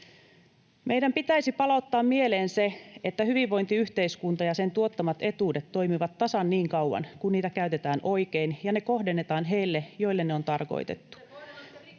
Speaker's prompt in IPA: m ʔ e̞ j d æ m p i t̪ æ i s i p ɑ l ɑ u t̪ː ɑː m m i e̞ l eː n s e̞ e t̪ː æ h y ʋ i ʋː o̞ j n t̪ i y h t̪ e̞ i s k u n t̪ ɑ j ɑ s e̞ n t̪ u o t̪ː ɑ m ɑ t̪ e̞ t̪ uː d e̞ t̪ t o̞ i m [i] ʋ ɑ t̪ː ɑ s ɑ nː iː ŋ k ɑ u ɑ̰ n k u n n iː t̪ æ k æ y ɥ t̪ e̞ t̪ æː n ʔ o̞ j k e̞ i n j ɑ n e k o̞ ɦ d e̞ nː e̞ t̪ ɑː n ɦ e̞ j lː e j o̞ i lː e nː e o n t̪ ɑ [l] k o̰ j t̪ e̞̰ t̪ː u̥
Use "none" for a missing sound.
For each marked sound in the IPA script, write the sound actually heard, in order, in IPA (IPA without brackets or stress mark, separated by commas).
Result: i, r